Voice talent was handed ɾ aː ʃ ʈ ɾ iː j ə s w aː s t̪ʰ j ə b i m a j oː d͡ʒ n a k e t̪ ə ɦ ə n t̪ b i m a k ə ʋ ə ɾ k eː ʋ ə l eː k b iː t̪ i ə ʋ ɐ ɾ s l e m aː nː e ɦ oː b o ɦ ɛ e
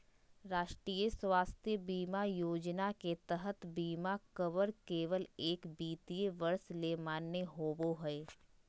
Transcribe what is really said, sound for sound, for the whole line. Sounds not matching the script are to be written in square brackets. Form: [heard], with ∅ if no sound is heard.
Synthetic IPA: ɾ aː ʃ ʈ ɾ iː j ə s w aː s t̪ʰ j ə b [iː] m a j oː d͡ʒ n a k e t̪ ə ɦ ə [∅] t̪ b [iː] m a k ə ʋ ə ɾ k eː ʋ ə l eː k b iː t̪ i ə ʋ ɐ ɾ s l e m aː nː e ɦ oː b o ɦ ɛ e

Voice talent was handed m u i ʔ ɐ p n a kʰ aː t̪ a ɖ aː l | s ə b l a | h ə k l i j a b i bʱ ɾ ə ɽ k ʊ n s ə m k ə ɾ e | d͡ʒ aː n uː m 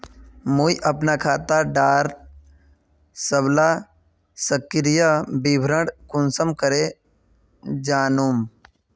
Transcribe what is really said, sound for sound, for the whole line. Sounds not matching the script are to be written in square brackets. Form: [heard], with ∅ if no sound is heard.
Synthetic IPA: m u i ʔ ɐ p n a kʰ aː t̪ a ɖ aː [ɾ] | s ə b l a | [s] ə k [ɾ] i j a b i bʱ ɾ ə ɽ k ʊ n s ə m k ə ɾ e | d͡ʒ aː n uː m

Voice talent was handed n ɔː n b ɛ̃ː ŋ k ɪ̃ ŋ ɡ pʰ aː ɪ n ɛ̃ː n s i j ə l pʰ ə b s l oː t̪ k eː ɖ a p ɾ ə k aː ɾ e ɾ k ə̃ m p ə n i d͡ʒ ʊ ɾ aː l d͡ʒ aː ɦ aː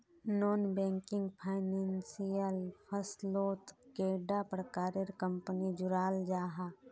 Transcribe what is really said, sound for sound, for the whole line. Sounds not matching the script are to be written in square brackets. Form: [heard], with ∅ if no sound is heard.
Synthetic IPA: n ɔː n b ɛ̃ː ŋ k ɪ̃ ŋ ɡ pʰ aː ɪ n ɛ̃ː n s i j ə l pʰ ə [∅] s l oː t̪ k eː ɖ a p ɾ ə k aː ɾ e ɾ k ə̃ m p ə n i d͡ʒ ʊ ɾ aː l d͡ʒ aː ɦ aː

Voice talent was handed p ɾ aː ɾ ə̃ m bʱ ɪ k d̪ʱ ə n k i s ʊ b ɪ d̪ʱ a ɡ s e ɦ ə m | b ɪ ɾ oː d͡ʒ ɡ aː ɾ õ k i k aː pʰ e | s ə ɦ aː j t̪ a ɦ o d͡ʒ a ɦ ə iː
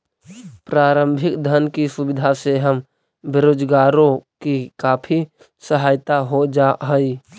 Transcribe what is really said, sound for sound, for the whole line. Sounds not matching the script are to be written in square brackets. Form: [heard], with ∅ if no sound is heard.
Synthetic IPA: p ɾ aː ɾ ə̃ m bʱ ɪ k d̪ʱ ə n k i s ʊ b ɪ d̪ʱ a [∅] s e ɦ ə m | b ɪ ɾ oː d͡ʒ ɡ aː ɾ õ k i k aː pʰ [i] | s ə ɦ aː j t̪ a ɦ o d͡ʒ a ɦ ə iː

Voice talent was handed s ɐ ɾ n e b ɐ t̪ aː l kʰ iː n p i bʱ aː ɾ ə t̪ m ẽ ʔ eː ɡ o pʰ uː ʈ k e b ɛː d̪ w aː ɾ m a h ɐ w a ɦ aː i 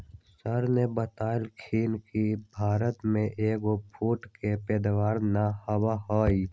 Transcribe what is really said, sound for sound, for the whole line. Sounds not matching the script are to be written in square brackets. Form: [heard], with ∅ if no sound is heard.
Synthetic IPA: s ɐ ɾ n e b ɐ t̪ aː l kʰ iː n [k] i bʱ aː ɾ ə t̪ m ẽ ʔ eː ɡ o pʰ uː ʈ k e [p] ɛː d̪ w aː ɾ [n] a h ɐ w a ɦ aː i

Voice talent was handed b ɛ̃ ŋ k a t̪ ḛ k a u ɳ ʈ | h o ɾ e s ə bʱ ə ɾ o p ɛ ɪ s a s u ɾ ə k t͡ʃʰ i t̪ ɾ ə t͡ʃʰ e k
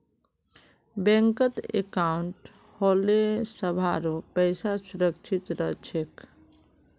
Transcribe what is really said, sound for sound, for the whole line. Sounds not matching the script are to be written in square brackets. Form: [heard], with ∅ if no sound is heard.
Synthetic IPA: b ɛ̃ ŋ k [ə] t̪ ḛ k a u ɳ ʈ | h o [l] e s ə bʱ [a] ɾ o p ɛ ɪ s a s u ɾ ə k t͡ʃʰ i t̪ ɾ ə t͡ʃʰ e k

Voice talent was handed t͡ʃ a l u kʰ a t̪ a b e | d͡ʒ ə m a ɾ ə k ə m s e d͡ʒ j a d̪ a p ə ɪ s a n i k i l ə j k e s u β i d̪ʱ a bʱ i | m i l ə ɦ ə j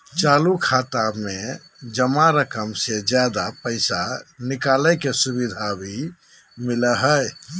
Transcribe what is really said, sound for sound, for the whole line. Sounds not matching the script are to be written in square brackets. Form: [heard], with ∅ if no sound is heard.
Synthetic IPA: t͡ʃ a l u kʰ a t̪ a [m] e | d͡ʒ ə m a ɾ ə k ə m s e d͡ʒ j a d̪ a p ə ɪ s a n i k [a] l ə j k e s u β i d̪ʱ a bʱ i | m i l ə ɦ ə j

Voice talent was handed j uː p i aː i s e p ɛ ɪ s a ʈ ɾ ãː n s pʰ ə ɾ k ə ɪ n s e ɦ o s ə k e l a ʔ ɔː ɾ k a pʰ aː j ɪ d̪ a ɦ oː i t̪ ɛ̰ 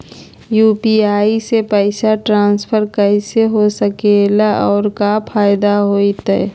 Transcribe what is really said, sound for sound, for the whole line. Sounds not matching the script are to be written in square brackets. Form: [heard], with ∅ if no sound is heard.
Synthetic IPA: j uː p i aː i s e p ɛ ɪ s a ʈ ɾ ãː n s pʰ ə ɾ k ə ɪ [∅] s e ɦ o s ə k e l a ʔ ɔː ɾ k a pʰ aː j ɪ d̪ a ɦ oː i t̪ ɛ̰

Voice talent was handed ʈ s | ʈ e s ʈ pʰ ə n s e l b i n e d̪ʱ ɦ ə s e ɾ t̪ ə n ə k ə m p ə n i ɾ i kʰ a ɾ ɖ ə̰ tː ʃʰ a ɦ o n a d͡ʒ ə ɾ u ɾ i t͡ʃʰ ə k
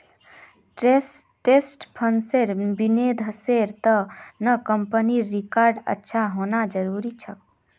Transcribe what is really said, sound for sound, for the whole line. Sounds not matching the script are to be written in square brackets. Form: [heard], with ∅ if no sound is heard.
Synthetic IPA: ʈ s | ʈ e s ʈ pʰ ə n s e [ɾ] b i n e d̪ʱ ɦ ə s e ɾ t̪ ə n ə k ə m p ə n i ɾ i [k] a ɾ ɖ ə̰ tː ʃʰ a ɦ o n a d͡ʒ ə ɾ u ɾ i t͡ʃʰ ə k

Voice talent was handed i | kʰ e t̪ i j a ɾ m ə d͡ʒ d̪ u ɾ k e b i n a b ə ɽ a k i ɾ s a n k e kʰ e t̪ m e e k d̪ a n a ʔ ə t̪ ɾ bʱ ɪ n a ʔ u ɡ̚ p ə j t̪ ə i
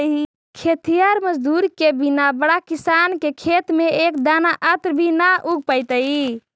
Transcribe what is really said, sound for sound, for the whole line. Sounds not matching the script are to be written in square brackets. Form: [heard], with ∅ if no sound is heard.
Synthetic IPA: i | kʰ e t̪ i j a ɾ m ə d͡ʒ d̪ u ɾ k e b i n a b ə ɽ a k i [∅] s a n k e kʰ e t̪ m e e k d̪ a n a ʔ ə t̪ ɾ bʱ [i] n a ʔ u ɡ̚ p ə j t̪ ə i

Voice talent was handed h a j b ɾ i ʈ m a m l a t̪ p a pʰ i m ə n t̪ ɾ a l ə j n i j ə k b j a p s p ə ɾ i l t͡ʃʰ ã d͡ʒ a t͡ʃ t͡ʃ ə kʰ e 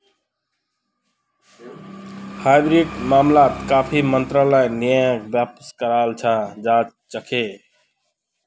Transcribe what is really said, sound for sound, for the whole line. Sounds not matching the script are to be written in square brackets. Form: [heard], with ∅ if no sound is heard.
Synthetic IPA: h a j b ɾ i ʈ m a m l a t̪ [k] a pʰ i m ə n t̪ ɾ a l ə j n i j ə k b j a p s [k] ə ɾ [a] l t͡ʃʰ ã d͡ʒ a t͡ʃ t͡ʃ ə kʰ e

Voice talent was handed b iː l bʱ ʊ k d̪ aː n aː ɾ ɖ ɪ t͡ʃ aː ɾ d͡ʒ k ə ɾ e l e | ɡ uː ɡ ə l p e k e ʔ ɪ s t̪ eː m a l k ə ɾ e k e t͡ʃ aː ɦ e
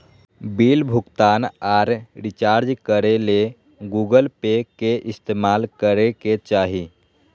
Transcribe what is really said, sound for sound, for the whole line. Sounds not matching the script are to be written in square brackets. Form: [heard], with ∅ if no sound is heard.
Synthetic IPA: b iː l bʱ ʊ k [t̪] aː n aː ɾ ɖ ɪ t͡ʃ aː ɾ d͡ʒ k ə ɾ e l e | ɡ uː ɡ ə l p e k e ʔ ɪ s t̪ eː m a l k ə ɾ e k e t͡ʃ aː ɦ [i]

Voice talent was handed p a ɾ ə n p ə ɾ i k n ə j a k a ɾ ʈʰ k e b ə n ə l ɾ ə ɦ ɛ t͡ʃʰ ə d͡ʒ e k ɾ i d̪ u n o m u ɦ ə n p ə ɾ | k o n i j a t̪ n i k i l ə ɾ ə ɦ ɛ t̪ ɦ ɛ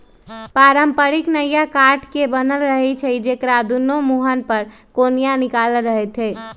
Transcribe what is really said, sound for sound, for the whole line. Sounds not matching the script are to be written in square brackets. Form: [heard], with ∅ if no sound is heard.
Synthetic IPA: p a ɾ ə [m] p ə ɾ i k n ə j a k a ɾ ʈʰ k e b ə n ə l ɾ ə ɦ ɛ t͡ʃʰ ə d͡ʒ e k ɾ [a] d̪ u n o m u ɦ ə n p ə ɾ | k o n i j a [∅] n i k [a] l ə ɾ ə ɦ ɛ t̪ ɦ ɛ

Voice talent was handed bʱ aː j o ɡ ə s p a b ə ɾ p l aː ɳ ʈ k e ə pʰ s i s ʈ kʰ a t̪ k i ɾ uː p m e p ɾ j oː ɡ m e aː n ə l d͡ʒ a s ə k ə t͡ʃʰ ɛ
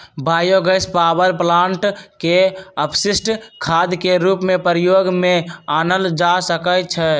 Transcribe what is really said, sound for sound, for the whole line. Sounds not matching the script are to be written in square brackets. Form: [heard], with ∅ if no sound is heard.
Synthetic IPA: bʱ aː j o ɡ ə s p a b ə ɾ p l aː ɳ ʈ k e ə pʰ s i s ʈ kʰ a [d̪] k [e] ɾ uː p m e p ɾ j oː ɡ m e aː n ə l d͡ʒ a s ə k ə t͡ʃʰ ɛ

